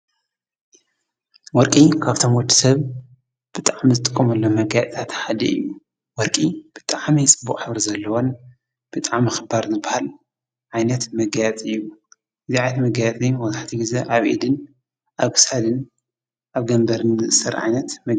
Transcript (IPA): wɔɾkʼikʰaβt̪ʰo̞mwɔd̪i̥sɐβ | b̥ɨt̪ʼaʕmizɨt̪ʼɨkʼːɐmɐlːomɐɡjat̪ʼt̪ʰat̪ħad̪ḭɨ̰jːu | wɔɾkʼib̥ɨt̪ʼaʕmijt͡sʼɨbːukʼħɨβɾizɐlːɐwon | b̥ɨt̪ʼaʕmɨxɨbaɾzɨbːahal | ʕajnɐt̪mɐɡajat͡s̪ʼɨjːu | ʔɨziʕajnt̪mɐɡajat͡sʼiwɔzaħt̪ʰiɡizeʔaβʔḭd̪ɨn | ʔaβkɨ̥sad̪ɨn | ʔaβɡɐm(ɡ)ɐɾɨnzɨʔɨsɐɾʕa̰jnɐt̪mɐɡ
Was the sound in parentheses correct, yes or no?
no